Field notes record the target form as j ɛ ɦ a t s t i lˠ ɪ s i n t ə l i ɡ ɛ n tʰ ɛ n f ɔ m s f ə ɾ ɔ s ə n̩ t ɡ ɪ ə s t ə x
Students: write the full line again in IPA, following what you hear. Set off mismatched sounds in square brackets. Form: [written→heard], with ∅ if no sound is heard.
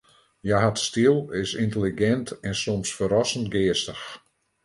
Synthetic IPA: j [ɛ→a] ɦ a t s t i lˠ ɪ s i n t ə l i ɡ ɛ n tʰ ɛ n [f→s] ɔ m s f ə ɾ ɔ s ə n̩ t ɡ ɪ ə s t ə x